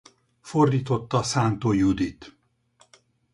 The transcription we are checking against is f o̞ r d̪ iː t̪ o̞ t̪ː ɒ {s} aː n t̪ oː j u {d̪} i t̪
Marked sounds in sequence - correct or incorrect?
correct, correct

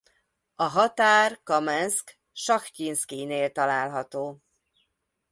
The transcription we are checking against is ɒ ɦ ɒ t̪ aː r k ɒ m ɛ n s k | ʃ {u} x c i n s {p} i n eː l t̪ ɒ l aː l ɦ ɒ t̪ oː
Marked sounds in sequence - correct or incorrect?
incorrect: ɒ, incorrect: k

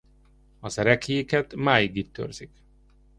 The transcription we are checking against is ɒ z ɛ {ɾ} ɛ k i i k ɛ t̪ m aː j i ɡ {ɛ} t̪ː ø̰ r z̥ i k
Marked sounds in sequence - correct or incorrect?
correct, incorrect: i

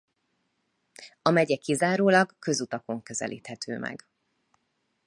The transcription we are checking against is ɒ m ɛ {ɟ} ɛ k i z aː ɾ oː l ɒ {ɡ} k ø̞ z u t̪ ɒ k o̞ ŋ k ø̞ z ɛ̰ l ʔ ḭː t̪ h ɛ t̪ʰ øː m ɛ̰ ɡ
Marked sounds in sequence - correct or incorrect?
correct, correct

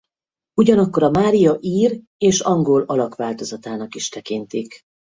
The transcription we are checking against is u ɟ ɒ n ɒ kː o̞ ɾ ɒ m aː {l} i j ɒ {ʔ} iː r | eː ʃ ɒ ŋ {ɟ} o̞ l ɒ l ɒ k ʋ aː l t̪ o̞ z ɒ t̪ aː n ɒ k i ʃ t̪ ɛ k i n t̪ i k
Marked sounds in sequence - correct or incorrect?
incorrect: ɾ, correct, incorrect: ɡ

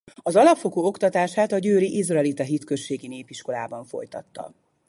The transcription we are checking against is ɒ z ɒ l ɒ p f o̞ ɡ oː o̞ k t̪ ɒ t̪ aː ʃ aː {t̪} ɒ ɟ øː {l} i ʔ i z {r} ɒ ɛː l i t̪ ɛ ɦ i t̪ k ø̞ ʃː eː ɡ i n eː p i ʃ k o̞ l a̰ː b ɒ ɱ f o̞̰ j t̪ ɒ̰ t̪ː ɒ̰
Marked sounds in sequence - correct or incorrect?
correct, incorrect: ɾ, correct

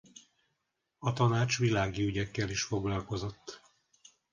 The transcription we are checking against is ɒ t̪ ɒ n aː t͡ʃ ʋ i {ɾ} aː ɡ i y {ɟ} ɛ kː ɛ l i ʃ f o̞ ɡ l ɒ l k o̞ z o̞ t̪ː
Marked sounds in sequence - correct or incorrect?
incorrect: l, correct

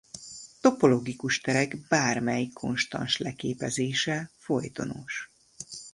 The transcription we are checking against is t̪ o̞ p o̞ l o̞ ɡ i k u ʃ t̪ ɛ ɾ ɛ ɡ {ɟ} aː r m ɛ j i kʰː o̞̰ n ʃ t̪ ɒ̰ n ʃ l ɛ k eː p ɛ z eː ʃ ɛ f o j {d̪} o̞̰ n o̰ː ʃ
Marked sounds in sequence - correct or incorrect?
incorrect: b, incorrect: t̪

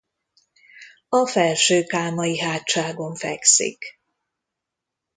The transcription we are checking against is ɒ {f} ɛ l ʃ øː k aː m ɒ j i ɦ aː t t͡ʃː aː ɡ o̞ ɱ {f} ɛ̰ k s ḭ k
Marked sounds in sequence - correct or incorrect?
correct, correct

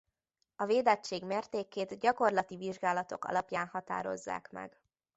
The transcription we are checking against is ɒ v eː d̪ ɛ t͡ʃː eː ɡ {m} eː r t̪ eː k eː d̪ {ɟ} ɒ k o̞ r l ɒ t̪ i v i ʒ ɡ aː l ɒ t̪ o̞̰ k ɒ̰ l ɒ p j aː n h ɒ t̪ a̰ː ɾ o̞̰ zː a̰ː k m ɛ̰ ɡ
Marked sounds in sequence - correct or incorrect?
correct, correct

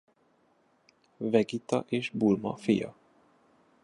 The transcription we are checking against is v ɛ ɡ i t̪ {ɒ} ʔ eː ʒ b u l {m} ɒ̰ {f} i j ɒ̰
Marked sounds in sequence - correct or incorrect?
correct, correct, correct

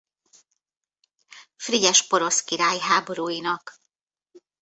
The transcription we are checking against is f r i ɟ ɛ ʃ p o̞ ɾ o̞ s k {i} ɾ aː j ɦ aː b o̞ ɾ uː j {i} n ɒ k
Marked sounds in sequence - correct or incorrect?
correct, correct

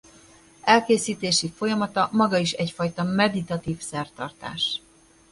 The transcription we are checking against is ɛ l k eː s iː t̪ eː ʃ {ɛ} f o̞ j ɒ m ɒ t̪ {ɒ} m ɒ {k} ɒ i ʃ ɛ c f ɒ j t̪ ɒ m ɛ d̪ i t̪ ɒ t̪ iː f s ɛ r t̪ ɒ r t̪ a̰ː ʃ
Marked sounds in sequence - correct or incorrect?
incorrect: i, correct, incorrect: ɡ

